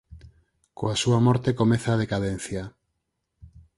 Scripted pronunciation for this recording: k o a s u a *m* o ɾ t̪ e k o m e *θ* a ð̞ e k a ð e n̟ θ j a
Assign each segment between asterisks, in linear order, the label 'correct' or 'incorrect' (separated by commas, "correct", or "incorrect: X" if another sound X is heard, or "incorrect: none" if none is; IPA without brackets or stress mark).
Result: correct, correct